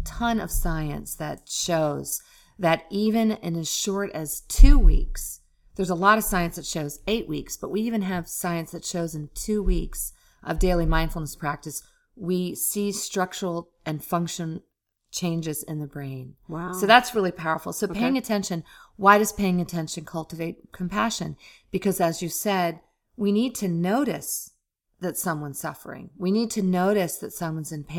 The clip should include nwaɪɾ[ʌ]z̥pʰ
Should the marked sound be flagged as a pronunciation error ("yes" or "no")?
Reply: no